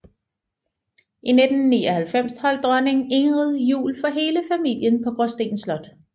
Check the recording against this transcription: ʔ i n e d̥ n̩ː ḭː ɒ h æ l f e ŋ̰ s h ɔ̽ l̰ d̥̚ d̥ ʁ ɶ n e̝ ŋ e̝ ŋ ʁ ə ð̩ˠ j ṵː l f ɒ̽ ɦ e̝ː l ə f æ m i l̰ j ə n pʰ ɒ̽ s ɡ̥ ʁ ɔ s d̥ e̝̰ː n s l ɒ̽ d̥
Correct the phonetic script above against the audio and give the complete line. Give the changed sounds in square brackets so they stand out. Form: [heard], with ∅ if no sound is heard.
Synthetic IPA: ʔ i n e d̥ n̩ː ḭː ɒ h æ l f e [m̰] s h [ɒ̽] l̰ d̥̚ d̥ ʁ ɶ n e̝ ŋ e̝ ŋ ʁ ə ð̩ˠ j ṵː l f ɒ̽ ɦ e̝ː l ə f æ m i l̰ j ə n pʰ ɒ̽ [∅] ɡ̥ ʁ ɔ s d̥ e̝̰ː n s l ɒ̽ d̥